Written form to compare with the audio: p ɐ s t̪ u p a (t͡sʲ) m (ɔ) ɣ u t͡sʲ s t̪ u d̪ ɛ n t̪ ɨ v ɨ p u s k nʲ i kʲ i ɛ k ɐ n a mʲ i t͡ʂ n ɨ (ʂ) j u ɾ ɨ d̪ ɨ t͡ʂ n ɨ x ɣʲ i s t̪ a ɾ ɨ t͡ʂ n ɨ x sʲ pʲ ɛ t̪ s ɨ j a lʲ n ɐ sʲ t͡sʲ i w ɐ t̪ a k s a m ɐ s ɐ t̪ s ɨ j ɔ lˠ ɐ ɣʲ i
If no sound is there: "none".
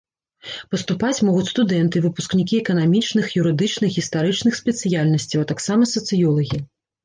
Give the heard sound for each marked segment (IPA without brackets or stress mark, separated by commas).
t͡sʲ, ɔ, x